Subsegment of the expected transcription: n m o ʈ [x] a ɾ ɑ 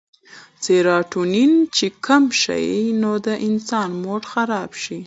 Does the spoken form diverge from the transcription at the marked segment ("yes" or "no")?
no